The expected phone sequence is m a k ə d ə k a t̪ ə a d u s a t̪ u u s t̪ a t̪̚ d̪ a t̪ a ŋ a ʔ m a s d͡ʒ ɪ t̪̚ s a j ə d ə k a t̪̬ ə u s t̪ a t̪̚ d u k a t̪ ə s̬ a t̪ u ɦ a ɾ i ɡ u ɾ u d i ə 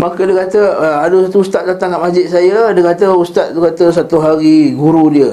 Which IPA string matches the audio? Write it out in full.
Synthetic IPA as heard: m a k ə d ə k a t̪ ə a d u s a t̪ u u s t̪ a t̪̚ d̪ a t̪ a ŋ a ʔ m a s d͡ʒ ɪ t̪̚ s a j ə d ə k a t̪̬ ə u s t̪ a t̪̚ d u k a t̪ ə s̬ a t̪ u ɦ a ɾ i ɡ u ɾ u d i ə